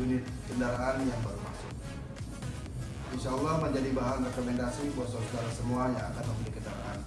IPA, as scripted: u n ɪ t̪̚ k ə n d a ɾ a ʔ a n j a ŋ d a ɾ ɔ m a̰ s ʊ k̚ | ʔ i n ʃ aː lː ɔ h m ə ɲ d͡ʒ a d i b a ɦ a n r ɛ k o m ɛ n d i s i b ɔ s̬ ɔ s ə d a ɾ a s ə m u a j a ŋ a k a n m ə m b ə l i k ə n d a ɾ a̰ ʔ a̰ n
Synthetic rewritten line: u n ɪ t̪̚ k ə n d a ɾ a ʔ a n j a ŋ b a ɾ u m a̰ s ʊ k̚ | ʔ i n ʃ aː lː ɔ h m ə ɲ d͡ʒ a d i b a ɦ a n r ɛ k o m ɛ n d a s i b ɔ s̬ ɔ s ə d a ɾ a s ə m u a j a ŋ a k a n m ə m b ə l i k ə n d a ɾ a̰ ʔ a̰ n

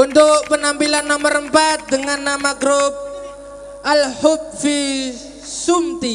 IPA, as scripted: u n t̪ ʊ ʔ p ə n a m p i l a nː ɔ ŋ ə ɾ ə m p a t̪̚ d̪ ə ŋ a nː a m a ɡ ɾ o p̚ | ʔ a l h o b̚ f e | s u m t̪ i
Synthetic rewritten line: u n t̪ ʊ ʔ p ə n a m p i l a nː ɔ m ə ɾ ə m p a t̪̚ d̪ ə ŋ a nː a m a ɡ ɾ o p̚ | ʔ a l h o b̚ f i | s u m t̪ i

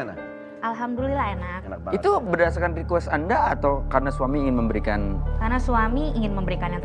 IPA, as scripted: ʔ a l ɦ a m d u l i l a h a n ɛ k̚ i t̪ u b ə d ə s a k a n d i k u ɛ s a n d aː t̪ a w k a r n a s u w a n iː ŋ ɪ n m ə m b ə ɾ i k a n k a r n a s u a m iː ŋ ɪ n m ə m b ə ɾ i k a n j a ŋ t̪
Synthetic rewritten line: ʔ a l ɦ a m d u l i l a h e n a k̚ i t̪ u b ə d a s a k a n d i k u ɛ s a n d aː t̪ a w k a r n a s u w a m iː ŋ ɪ n m ə m b ə ɾ i k a n k a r n a s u a m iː ŋ ɪ n m ə m b ə ɾ i k a n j a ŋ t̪

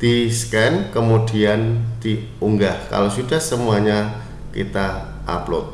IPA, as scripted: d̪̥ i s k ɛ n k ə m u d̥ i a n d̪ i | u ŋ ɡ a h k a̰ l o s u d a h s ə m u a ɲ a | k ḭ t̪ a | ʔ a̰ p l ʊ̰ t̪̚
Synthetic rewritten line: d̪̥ i s k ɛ n k ə m u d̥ i a n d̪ i | u ŋ ɡ a h k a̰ l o s u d a h s ə m u a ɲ a | k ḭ t̪ a | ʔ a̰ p l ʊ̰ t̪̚

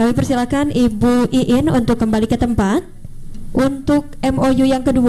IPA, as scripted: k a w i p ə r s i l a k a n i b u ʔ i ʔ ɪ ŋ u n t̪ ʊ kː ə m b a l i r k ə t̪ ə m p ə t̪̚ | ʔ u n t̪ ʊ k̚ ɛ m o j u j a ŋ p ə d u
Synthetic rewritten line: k a w i p ə r s i l a k a n i b u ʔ i ʔ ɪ n u n t̪ ʊ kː ə m b a l i k ə t̪ ə m p a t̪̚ | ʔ u n t̪ ʊ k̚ ɛ m o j u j a ŋ k ə d u

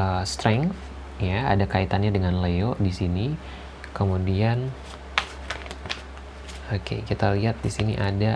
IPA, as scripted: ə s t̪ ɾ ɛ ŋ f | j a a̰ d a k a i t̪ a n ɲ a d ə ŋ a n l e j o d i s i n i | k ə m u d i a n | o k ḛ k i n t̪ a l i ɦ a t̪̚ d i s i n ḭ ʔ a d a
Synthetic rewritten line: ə s t̪ ɾ ɛ ŋ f | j a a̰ d a k a i t̪ a n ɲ a d ə ŋ a n l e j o d i s i n i | k ə m u d i a n | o k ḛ k i t̪ a l i ɦ a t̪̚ d i s i n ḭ ʔ a d a

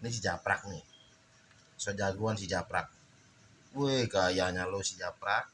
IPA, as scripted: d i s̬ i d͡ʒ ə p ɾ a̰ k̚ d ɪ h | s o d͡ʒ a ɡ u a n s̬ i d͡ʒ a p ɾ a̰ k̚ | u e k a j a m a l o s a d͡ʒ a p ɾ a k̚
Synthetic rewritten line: n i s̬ i d͡ʒ a p ɾ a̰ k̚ n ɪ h | s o d͡ʒ a ɡ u a n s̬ i d͡ʒ a p ɾ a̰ k̚ | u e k a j a ɲ a l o s i d͡ʒ a p ɾ a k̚

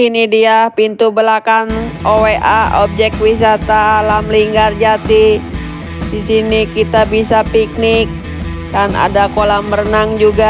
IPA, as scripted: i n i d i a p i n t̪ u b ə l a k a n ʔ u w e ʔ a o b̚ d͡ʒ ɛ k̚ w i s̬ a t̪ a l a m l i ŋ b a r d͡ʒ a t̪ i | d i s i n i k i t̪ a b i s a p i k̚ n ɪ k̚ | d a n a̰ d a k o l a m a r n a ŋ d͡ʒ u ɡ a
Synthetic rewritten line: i n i d i a p i n t̪ u b ə l a k a n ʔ o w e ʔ a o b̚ d͡ʒ ɛ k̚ w i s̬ a t̪ a l a m l i ŋ ɡ a r d͡ʒ a t̪ i | d i s i n i k i t̪ a b i s a p i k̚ n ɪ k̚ | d a n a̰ d a k o l a m ə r n a ŋ d͡ʒ u ɡ a

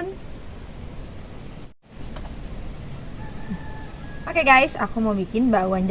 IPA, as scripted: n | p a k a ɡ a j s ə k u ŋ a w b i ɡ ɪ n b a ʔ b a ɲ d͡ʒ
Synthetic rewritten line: n | p a k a ɡ a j s a k u m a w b i k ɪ n b a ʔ w a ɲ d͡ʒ

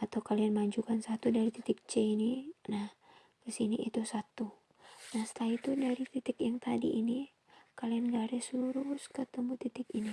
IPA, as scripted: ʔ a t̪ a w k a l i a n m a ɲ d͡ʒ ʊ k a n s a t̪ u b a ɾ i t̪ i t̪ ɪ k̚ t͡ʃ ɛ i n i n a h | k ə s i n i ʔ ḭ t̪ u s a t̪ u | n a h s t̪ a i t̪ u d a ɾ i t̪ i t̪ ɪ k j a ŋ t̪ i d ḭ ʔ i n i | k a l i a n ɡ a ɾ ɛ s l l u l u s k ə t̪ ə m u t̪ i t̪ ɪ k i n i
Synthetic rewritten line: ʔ a t̪ a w k a l i a n m a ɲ d͡ʒ u k a n s a t̪ u d a ɾ i t̪ i t̪ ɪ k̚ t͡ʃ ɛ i n i n a h | k ə s i n i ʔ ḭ t̪ u s a t̪ u | n a h s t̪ a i t̪ u d a ɾ i t̪ i t̪ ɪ k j a ŋ t̪ a d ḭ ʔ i n i | k a l i a n ɡ a ɾ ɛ s l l u ɾ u s k ə t̪ ə m u t̪ i t̪ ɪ k i n i

